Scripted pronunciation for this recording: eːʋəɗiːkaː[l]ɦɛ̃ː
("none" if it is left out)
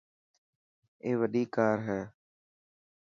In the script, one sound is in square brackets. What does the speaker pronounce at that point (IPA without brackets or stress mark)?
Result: ɾ